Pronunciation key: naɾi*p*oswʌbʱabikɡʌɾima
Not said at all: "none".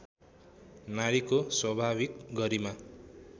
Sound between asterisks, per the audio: k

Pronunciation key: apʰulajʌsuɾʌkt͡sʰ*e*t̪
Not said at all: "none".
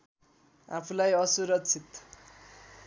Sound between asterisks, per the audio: i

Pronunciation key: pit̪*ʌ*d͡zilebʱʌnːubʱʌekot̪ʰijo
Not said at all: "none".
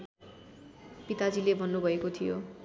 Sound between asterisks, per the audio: a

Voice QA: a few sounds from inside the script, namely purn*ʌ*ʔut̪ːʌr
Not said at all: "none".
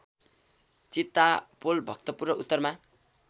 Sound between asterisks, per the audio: ʌ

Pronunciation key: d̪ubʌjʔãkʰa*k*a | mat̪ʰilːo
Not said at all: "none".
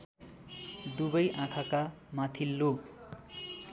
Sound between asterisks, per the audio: k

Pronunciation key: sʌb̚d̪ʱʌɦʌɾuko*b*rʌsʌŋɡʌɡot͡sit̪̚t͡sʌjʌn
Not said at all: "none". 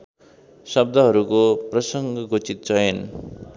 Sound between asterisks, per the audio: p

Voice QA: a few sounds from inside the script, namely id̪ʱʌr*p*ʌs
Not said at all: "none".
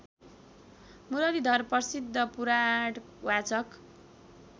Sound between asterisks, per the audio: p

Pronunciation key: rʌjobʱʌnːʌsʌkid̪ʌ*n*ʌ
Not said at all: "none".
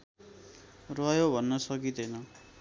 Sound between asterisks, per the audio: n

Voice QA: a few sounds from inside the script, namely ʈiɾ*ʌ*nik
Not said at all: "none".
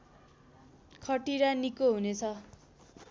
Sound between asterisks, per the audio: a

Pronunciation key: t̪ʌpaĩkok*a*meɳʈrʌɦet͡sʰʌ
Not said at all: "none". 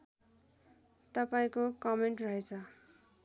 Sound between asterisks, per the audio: ʌ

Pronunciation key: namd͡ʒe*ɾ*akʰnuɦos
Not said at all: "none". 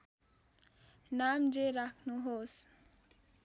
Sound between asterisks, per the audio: ɾ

